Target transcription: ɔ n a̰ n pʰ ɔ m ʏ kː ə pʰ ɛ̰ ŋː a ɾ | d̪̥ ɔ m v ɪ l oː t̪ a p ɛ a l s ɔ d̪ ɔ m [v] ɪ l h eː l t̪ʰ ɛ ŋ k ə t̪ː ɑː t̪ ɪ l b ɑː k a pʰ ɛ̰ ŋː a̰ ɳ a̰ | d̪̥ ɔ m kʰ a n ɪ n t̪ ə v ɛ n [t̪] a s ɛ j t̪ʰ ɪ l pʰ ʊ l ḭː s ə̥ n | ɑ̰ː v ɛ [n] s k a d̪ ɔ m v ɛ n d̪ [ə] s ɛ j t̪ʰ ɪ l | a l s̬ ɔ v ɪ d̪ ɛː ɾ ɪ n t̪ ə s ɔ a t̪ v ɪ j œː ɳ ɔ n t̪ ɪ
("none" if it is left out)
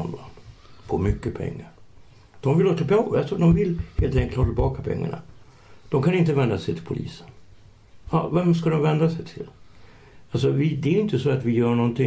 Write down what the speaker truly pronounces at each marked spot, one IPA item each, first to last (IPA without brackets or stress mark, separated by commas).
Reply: v, d̪, m, a